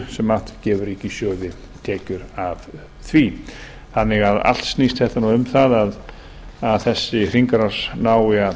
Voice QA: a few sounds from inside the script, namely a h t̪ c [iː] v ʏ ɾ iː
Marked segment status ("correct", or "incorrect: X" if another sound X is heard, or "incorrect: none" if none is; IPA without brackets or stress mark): incorrect: ɛː